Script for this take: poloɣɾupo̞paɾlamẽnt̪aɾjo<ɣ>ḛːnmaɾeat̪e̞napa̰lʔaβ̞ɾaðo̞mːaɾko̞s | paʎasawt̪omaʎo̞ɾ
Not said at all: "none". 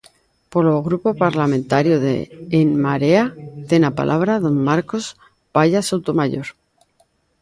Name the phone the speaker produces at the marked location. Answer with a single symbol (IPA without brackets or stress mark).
ð